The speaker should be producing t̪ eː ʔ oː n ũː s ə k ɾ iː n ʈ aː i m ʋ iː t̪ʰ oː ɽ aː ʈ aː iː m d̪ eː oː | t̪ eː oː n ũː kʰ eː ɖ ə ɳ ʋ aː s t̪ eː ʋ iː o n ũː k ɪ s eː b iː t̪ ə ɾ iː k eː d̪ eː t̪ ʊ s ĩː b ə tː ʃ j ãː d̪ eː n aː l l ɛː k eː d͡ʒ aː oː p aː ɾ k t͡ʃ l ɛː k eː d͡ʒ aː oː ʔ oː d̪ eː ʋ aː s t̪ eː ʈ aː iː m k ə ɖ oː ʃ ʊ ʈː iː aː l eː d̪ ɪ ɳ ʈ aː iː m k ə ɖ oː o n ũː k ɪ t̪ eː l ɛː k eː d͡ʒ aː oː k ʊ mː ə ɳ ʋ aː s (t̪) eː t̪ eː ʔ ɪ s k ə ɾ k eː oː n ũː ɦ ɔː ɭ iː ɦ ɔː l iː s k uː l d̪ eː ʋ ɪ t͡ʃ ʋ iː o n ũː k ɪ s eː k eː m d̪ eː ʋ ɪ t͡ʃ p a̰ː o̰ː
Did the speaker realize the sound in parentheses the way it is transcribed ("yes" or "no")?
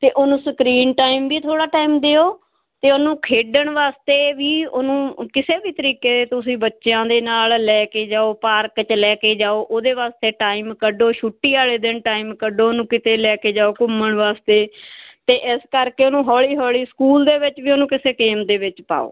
yes